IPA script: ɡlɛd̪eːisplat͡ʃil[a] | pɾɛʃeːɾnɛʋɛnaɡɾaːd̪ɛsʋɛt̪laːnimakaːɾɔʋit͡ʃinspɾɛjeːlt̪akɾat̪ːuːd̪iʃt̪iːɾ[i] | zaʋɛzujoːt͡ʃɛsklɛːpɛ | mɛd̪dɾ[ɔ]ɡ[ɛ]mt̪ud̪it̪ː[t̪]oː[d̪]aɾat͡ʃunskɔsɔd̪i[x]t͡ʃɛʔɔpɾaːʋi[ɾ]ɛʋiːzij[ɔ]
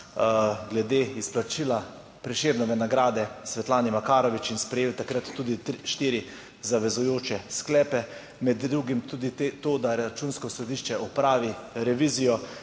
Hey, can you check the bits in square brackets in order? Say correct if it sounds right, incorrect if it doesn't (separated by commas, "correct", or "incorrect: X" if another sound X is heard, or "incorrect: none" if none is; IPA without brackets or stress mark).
correct, correct, incorrect: u, incorrect: i, correct, correct, incorrect: ʃ, correct, correct